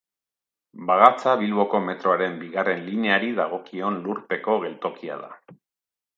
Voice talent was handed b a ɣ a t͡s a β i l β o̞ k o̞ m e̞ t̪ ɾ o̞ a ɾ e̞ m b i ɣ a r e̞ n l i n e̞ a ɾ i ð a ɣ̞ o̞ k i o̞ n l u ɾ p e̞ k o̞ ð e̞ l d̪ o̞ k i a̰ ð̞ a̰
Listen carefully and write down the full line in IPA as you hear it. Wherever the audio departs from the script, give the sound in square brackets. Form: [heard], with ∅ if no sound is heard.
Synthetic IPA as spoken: b a ɣ a t͡s a β i l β o̞ k o̞ m e̞ t̪ ɾ o̞ a ɾ e̞ m b i ɣ a r e̞ n l i n e̞ a ɾ i ð a ɣ̞ o̞ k i o̞ n l u ɾ p e̞ k o̞ [ɣ] e̞ l [t̪] o̞ k i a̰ ð̞ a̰